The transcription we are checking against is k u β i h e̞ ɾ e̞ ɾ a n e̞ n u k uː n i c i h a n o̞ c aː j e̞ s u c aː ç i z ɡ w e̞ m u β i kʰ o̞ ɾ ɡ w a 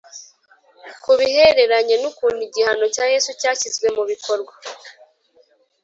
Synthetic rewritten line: k u β i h e̞ ɾ e̞ ɾ a ɲ e̞ n u k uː n i ɟ i h a n o̞ c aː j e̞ s u c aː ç i z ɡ w e̞ m u β i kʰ o̞ ɾ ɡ w a